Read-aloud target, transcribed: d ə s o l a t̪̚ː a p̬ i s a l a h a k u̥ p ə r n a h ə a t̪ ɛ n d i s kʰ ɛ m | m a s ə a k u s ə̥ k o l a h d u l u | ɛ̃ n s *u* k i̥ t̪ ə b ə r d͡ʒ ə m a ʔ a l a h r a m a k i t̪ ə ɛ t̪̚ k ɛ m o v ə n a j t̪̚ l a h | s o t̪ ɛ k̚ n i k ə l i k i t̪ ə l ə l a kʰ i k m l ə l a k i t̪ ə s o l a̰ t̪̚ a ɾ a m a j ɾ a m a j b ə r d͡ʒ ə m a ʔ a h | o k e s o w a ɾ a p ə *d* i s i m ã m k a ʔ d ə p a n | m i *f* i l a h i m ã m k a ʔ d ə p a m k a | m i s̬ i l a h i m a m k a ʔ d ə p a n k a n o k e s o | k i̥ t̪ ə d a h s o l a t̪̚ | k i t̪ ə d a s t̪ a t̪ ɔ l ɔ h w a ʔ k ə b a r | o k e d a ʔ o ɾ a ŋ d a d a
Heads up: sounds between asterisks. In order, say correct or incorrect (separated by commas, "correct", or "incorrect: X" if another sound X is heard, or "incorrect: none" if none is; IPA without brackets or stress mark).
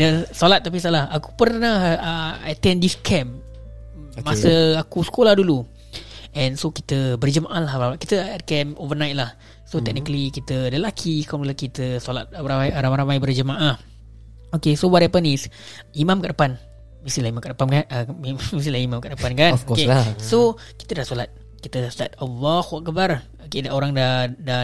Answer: incorrect: o, incorrect: n, incorrect: s